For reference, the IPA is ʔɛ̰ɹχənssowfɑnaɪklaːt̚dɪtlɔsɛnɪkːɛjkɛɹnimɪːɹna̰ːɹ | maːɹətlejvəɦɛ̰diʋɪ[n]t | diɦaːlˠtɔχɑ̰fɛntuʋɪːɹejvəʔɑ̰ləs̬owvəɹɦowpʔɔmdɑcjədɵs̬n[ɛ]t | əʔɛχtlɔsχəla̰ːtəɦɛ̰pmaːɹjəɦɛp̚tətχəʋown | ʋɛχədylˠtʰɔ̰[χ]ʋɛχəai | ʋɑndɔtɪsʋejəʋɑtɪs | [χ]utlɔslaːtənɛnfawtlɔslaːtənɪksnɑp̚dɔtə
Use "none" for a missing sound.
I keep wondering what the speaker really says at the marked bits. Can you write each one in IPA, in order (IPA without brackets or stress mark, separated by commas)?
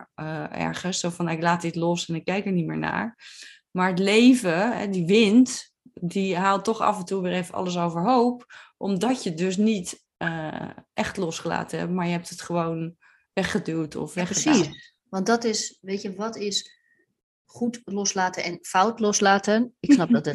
n, i, f, χ